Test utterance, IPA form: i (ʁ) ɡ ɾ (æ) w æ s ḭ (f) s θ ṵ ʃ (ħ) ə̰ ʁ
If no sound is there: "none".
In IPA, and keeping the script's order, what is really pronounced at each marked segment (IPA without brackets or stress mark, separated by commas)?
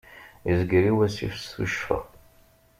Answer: z, i, f, f